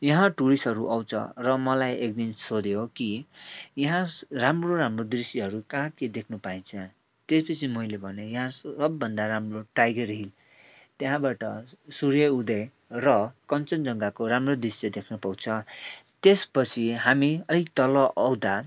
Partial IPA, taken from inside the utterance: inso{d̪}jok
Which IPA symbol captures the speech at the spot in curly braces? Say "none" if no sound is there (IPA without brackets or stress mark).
d̪